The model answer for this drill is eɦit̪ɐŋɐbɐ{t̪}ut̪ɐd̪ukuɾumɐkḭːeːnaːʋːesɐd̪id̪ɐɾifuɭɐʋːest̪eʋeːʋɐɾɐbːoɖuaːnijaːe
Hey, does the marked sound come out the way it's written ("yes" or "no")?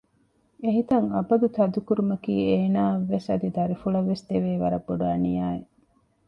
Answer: no